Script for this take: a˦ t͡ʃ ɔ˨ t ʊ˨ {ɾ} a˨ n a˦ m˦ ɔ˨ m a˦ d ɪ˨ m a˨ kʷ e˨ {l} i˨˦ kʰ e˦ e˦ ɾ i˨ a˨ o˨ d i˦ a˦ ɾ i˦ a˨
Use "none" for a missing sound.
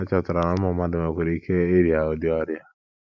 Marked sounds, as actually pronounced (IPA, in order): ɾ, ɾ

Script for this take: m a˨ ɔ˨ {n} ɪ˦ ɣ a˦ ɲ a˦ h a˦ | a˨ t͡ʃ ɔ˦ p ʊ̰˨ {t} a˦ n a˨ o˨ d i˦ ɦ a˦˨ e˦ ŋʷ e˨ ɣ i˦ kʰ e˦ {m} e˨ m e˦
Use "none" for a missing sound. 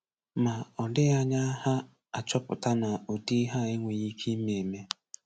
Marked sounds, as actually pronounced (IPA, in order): d, t, m

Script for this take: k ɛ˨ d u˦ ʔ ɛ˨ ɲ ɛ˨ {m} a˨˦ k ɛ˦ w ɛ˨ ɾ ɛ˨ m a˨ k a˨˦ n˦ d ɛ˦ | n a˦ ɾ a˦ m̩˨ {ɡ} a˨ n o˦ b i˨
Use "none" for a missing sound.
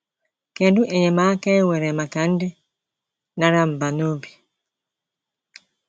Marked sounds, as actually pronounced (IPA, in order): m, b

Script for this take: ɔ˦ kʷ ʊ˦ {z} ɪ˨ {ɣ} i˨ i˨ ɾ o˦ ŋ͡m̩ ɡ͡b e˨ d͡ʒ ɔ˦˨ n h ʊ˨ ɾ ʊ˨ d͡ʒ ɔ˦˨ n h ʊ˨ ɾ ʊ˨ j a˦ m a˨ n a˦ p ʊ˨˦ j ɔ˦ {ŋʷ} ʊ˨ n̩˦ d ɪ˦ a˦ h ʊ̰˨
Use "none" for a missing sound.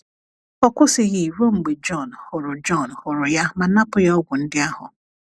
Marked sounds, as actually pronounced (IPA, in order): s, ɣ, ɡʷ

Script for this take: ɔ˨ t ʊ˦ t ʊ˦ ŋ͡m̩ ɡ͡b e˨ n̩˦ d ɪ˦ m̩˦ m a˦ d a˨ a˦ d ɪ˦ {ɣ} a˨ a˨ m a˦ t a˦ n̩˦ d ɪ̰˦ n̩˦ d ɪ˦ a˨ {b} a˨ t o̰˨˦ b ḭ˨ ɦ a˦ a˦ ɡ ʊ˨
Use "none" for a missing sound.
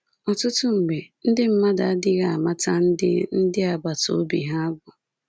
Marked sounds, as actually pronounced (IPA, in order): ɣ, b

